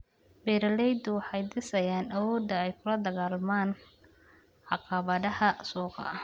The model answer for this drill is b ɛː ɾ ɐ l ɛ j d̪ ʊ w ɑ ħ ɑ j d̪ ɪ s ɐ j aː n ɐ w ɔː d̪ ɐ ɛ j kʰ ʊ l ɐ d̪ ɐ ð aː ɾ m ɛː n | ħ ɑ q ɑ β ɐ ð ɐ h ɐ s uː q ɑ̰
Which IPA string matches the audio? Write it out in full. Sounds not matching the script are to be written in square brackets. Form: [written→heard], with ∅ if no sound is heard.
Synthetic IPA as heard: b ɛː ɾ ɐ l ɛ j d̪ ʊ w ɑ ħ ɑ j d̪ ɪ s ɐ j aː n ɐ w ɔː d̪ ɐ ɛ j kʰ ʊ l ɐ d̪ ɐ [ð→ɣ] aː [ɾ→l] m [ɛː→aː] n | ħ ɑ q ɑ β ɐ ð ɐ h ɐ s uː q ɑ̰